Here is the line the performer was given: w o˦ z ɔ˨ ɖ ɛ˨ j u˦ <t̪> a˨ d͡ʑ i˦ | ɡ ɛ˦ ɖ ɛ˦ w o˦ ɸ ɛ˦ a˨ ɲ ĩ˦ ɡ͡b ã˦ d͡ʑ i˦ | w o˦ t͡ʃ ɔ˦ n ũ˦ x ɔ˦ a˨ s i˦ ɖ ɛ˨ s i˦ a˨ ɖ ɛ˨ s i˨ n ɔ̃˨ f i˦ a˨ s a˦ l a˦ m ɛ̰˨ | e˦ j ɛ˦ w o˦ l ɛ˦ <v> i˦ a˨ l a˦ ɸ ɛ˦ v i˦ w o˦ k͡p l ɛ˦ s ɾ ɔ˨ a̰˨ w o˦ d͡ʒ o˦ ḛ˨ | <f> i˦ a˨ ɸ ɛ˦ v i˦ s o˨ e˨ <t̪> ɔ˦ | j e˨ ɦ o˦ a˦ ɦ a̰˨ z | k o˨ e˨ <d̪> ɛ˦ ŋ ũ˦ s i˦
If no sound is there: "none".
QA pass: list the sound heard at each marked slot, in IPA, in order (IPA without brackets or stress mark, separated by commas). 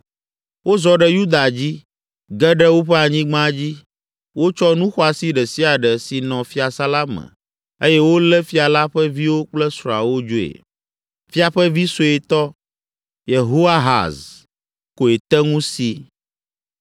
d̪, f, f, t̪, t̪